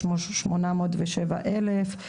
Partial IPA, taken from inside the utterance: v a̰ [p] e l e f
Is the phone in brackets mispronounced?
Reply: yes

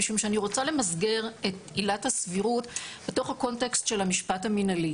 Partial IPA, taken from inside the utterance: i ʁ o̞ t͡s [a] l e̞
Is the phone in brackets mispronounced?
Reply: no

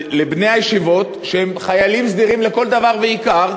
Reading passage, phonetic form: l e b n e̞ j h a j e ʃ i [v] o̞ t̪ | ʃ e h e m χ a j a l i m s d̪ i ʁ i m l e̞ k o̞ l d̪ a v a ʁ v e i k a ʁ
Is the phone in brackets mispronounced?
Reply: no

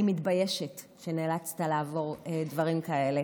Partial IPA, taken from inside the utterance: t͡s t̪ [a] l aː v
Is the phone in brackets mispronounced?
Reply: no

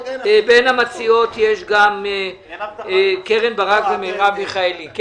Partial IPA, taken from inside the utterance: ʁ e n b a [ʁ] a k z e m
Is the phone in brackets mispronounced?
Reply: no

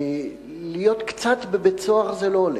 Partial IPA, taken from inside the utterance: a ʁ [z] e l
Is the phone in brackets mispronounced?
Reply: no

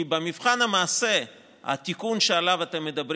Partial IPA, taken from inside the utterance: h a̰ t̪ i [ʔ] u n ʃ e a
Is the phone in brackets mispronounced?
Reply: yes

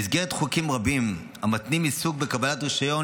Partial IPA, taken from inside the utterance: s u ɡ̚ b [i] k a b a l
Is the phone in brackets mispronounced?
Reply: yes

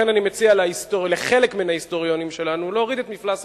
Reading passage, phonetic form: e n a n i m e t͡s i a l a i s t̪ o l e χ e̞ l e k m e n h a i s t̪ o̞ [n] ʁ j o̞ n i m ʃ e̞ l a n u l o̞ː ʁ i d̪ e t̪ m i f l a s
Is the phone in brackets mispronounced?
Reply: yes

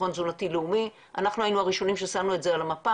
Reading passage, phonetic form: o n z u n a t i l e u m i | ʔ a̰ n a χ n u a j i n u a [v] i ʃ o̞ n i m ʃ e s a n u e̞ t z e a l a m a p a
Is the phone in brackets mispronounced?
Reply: yes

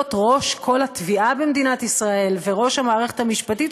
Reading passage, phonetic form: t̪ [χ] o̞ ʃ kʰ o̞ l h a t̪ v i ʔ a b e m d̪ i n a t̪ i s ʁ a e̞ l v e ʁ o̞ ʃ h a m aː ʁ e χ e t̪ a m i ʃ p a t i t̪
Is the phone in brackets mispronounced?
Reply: yes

